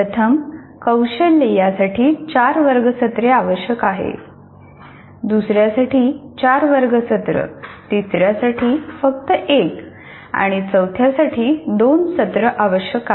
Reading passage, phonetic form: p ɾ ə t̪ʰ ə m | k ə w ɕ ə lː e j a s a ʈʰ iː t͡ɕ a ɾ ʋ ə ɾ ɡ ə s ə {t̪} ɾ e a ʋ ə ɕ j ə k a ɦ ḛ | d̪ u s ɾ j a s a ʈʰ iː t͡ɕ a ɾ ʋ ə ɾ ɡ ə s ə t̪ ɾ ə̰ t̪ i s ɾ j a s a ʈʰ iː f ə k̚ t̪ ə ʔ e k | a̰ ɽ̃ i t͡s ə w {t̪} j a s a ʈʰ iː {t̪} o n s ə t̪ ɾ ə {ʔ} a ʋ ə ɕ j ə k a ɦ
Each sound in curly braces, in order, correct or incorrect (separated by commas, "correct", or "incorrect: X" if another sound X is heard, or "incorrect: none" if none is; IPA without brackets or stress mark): correct, incorrect: t̪ʰ, incorrect: d̪, correct